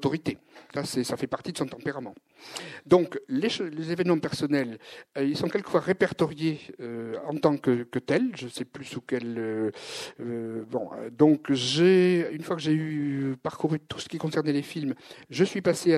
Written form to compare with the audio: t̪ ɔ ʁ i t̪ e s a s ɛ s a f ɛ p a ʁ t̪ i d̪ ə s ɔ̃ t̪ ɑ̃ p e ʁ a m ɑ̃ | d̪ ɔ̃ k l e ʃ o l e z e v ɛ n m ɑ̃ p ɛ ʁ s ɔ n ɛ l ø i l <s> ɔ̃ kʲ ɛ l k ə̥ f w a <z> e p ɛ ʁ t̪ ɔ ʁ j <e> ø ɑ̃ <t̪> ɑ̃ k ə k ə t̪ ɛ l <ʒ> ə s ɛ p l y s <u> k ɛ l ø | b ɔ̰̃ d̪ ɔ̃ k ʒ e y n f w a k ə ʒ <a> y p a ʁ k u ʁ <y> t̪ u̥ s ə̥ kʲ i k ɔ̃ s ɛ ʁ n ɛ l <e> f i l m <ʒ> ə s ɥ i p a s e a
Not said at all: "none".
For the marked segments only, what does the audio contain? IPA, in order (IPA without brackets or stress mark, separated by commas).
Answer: s, ʁ, e, t̪, ʒ, u, e, y, e, ʒ